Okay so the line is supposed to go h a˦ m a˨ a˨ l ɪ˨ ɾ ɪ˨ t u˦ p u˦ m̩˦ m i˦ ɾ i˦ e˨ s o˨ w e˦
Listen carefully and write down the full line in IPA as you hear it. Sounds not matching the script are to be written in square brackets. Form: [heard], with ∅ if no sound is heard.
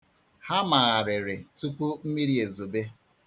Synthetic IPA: h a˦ m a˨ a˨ [ɾ] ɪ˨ ɾ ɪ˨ t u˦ p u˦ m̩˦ m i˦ ɾ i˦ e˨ [z] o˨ [b] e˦